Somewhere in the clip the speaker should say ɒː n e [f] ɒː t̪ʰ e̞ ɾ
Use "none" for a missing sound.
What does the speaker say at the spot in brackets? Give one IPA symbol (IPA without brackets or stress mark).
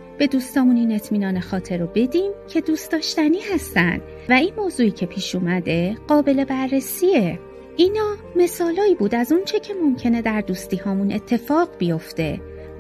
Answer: x